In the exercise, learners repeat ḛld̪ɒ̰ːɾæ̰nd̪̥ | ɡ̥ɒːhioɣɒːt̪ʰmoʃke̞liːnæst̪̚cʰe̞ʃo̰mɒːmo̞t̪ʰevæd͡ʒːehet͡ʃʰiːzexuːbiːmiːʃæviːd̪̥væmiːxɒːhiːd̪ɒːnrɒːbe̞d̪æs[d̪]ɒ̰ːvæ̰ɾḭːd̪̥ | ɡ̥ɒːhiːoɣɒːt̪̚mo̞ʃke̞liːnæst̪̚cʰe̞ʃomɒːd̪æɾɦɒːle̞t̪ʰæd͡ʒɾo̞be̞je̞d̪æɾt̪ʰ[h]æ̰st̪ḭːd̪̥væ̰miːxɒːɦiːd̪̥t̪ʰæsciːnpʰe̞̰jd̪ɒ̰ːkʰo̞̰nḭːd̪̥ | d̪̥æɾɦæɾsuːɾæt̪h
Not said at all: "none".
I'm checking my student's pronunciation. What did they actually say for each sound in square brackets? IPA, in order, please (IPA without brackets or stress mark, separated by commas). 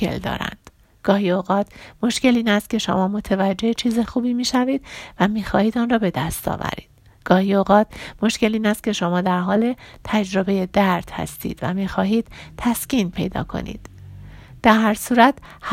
t̪, h